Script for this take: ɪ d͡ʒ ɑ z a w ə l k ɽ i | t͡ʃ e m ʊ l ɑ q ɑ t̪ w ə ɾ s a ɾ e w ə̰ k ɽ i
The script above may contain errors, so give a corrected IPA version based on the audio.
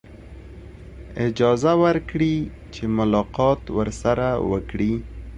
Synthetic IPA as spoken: ɪ d͡ʒ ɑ z a w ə ɾ k ɽ i | t͡ʃ e m ʊ l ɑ q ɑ t̪ w ə ɾ s a ɾ a w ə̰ k ɽ i